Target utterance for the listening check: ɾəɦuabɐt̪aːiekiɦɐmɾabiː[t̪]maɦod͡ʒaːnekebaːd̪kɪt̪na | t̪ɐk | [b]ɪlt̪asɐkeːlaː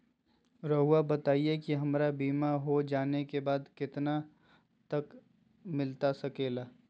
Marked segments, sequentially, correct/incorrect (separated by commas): incorrect, incorrect